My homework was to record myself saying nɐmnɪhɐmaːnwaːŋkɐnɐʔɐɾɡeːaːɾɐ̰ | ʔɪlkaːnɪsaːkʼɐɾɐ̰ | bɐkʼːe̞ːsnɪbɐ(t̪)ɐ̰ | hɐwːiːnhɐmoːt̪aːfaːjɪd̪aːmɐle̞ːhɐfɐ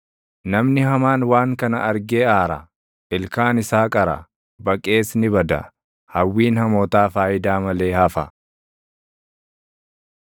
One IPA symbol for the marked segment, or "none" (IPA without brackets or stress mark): d̪